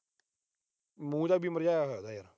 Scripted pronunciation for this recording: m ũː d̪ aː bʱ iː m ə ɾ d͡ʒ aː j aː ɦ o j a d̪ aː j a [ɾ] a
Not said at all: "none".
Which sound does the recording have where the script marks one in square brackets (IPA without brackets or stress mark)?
ɾ